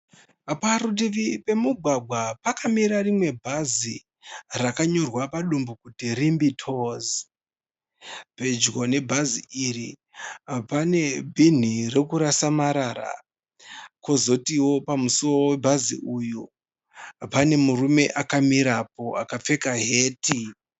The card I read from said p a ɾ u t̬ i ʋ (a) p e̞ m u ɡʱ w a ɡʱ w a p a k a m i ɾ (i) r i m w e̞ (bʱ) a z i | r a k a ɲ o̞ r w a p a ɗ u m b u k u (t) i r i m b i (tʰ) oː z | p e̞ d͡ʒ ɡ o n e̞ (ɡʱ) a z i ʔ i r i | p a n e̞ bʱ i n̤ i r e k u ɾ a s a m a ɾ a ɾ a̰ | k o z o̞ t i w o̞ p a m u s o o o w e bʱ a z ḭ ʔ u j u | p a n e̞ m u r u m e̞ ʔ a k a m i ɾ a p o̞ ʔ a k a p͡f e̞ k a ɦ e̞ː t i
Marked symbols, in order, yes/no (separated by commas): no, no, yes, yes, yes, no